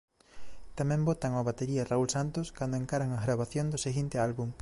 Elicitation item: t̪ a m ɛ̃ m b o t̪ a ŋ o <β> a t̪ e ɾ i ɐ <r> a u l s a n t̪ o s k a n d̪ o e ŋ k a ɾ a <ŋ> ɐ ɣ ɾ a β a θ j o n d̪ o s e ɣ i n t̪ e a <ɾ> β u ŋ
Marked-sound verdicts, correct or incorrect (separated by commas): correct, correct, correct, incorrect